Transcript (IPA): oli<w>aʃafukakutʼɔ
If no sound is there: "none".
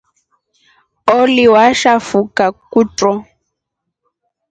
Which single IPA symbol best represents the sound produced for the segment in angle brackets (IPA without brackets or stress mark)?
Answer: w